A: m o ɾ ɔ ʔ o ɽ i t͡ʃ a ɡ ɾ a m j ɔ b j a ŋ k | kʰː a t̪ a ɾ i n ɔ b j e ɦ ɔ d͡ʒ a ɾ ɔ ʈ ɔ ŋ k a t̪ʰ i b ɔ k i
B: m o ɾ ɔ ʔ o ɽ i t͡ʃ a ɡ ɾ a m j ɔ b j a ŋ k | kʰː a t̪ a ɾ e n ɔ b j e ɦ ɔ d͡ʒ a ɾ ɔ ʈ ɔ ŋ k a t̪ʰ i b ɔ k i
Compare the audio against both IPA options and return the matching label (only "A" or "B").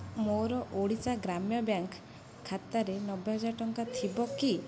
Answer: B